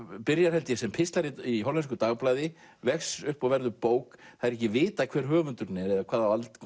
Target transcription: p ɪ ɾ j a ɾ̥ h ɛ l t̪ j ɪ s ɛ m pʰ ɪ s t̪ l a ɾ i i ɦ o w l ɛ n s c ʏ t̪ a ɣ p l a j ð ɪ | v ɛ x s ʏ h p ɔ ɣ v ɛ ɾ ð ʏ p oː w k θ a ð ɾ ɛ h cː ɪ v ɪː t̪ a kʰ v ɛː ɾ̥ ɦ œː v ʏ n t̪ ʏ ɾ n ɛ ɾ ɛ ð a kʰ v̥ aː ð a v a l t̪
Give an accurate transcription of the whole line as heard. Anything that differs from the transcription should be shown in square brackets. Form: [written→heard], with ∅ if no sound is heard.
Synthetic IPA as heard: p ɪ ɾ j a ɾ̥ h ɛ l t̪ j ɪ s ɛ m pʰ ɪ s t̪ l a ɾ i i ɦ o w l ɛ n s [c→k] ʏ t̪ a ɣ p l a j ð ɪ | v ɛ x s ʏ h p ɔ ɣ v ɛ ɾ ð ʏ p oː w k θ a ð ɾ ɛ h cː ɪ v ɪː t̪ a kʰ v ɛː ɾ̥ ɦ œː v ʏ n t̪ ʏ ɾ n ɛ ɾ ɛ ð a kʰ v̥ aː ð a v a l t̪